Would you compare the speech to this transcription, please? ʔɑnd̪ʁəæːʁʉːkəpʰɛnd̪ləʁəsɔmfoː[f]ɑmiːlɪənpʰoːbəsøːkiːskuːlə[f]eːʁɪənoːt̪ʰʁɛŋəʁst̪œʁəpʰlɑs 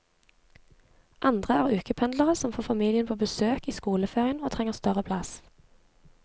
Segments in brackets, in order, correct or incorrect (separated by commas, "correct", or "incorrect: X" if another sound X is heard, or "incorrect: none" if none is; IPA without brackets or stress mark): correct, correct